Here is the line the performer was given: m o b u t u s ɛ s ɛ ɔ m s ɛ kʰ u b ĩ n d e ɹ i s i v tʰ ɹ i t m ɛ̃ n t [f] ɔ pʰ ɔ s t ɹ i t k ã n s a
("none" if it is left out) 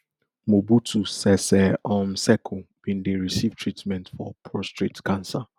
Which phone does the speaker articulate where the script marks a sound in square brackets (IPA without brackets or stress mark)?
f